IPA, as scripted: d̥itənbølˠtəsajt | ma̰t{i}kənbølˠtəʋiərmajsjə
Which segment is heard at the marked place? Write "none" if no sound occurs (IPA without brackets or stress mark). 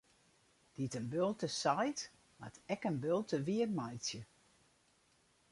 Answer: ɛ